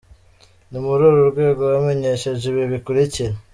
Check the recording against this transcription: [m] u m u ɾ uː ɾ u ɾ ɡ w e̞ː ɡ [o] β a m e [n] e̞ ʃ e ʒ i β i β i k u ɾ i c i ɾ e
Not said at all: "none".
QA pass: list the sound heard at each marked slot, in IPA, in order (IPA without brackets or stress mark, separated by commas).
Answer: n, o, ɲ